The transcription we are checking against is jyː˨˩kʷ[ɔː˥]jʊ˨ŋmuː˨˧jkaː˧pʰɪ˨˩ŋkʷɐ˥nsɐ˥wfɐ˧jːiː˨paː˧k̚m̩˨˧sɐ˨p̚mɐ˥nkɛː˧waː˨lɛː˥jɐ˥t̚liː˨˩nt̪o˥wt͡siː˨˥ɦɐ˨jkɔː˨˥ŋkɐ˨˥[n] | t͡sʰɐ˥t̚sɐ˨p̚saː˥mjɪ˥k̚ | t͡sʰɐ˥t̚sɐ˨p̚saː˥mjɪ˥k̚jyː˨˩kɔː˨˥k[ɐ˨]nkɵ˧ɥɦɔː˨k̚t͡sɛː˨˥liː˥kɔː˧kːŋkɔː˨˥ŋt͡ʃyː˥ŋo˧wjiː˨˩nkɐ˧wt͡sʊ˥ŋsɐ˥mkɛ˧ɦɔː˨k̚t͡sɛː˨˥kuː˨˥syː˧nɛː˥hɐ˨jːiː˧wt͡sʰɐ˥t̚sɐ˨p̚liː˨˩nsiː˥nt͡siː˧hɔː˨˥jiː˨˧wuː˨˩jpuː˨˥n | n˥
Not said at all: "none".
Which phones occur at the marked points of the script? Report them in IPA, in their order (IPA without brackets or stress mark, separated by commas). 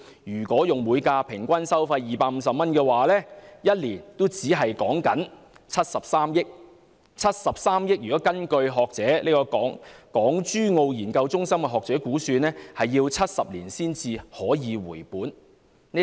ɔː˨˥, n, ɐ˥